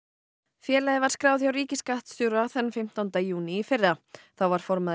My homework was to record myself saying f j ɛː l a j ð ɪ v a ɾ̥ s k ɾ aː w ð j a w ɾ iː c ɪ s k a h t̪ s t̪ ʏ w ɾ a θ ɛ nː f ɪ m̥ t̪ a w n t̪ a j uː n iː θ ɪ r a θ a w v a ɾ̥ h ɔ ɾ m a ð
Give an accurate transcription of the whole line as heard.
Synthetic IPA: f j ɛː l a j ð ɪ v a ɾ̥ s k ɾ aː w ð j a w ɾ iː c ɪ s k a h t̪ s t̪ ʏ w ɾ a θ ɛ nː f ɪ m̥ t̪ a w n t̪ a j uː n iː f ɪ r a θ a w v a ɾ̥ f ɔ ɾ m a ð